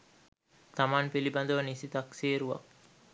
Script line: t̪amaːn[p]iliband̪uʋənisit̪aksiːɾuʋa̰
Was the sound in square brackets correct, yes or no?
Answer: yes